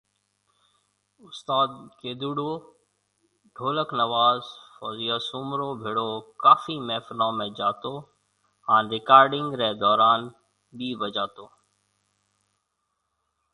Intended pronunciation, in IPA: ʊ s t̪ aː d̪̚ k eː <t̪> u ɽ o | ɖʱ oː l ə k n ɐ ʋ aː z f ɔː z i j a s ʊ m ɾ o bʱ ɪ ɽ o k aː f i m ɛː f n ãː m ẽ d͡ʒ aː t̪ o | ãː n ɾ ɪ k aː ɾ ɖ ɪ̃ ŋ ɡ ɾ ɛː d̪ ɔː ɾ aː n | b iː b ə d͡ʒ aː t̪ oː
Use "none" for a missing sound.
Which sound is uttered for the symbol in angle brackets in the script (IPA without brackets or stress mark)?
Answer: d̪